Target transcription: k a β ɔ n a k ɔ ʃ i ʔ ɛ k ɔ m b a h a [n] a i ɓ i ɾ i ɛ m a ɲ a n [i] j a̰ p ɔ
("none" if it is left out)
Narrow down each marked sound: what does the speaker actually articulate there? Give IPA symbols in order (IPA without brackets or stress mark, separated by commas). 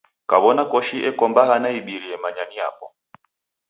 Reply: n, i